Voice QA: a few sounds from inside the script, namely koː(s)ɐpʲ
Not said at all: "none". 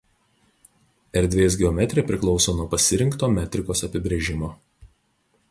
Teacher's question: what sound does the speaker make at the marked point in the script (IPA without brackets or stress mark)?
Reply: s